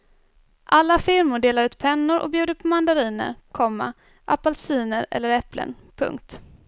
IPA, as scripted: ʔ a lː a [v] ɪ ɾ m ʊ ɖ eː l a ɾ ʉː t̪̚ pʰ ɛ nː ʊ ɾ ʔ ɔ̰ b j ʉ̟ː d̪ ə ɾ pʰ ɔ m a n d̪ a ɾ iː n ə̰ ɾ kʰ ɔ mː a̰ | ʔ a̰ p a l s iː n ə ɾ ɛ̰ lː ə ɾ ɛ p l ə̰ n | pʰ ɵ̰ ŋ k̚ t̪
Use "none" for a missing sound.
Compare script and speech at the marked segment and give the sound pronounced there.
f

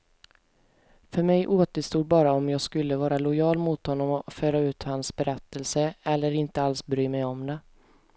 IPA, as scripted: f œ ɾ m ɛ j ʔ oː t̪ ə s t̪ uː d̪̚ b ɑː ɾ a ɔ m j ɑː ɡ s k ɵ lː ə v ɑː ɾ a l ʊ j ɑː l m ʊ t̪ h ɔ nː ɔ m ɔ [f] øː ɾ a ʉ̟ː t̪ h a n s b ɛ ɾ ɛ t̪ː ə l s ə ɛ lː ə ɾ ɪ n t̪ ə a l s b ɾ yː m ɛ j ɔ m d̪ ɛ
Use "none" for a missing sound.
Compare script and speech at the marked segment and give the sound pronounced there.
f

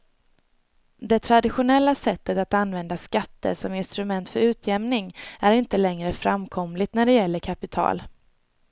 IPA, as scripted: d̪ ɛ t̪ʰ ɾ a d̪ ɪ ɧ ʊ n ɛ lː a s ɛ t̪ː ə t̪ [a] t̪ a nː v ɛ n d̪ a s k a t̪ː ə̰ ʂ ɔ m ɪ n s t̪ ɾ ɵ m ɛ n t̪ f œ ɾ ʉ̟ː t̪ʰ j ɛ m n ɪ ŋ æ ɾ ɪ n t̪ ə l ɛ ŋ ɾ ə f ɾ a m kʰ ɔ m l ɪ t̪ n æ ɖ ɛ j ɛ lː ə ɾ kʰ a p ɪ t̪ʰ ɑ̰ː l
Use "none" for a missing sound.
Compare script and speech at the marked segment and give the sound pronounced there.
a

